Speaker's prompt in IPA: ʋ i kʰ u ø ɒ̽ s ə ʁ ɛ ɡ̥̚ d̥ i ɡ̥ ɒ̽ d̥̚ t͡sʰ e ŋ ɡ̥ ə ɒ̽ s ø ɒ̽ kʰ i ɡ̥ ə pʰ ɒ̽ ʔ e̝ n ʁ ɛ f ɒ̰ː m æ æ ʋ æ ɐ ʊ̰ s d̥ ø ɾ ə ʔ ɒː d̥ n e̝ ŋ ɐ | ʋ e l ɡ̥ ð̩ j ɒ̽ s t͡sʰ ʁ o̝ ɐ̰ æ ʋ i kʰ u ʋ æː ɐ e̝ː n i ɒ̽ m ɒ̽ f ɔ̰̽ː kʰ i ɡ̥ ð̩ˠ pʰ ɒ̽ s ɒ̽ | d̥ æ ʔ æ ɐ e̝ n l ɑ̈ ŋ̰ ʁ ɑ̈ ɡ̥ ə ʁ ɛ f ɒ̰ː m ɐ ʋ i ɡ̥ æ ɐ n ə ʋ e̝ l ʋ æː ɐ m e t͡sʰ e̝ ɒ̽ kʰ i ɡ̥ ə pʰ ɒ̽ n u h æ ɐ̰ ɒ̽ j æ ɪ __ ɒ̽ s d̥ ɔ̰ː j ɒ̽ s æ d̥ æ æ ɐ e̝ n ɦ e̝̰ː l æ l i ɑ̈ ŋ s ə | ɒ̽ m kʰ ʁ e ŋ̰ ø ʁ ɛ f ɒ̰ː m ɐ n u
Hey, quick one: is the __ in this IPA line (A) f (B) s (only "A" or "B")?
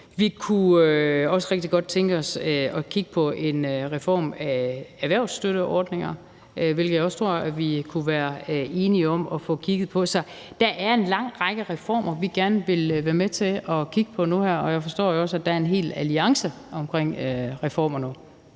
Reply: A